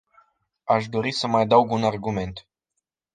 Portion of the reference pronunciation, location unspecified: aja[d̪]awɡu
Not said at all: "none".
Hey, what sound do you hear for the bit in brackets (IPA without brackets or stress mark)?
d̪